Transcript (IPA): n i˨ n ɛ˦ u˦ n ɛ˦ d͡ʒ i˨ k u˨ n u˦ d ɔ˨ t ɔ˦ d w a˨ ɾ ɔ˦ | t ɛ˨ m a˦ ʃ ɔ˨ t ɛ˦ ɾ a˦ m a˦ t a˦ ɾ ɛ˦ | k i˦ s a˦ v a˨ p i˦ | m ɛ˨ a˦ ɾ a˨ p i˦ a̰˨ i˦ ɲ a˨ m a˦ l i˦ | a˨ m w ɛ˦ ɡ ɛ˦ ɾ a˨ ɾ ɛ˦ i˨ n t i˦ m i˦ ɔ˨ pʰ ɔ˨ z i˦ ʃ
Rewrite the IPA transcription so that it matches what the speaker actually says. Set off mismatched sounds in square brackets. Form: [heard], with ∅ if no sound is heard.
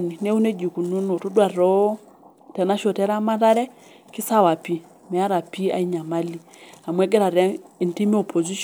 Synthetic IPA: n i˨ n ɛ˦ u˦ n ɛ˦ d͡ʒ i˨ k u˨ n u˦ [n] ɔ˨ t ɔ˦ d w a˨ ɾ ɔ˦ | t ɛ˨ [n] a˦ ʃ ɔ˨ t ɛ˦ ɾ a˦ m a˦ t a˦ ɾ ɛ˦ | k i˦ s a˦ [w] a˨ p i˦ | m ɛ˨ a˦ ɾ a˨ p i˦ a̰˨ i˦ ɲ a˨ m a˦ l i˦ | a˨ m w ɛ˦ ɡ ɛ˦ ɾ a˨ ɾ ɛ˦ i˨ n t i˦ m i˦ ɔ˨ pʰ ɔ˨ z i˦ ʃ

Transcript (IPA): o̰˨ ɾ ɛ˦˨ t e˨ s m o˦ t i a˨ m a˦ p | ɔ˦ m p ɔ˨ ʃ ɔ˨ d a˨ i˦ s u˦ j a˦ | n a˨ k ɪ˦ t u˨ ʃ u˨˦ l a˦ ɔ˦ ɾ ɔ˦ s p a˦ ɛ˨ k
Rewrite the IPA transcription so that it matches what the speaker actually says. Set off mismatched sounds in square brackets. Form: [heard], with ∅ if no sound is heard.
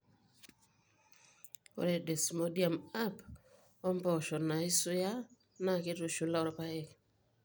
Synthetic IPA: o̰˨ ɾ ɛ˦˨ [d] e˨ s m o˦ [d] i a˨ m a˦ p | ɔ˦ m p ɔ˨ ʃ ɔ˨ [n] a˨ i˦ s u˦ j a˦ | n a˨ k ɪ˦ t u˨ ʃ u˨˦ l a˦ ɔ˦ ɾ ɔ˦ [∅] p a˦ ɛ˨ k

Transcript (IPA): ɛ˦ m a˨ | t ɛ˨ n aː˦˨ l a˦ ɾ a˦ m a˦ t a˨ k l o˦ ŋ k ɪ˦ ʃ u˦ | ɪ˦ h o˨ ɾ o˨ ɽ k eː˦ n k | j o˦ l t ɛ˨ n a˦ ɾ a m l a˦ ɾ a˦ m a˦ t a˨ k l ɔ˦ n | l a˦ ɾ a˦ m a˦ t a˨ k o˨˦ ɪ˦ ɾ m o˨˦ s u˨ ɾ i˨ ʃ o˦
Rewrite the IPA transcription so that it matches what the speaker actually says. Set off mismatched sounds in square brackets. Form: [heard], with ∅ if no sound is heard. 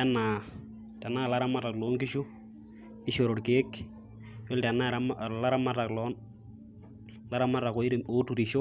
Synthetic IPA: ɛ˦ [n] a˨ | t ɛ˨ n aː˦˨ l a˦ ɾ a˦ m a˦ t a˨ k l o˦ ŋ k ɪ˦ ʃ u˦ | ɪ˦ [ʃ] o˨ ɾ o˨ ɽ k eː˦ [∅] k | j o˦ l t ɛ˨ n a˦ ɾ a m l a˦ ɾ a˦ m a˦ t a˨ k l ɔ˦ n | l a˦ ɾ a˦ m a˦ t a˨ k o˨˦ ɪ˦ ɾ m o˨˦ [t] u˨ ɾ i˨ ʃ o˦

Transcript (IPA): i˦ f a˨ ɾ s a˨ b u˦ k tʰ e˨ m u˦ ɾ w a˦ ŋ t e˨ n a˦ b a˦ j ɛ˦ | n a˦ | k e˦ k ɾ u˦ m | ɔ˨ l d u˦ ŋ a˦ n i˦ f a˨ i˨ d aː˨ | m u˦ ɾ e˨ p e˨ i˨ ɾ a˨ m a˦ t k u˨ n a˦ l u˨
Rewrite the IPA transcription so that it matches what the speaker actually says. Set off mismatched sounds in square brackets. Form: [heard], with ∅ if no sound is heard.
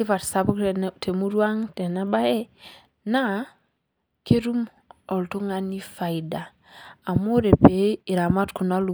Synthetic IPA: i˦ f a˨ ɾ s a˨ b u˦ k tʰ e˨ m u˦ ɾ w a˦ ŋ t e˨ n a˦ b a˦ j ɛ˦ | n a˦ | k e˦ [∅] ɾ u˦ m | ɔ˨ l [t] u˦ ŋ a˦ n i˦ f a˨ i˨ d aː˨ | m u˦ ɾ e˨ p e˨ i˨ ɾ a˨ m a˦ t k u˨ n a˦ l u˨

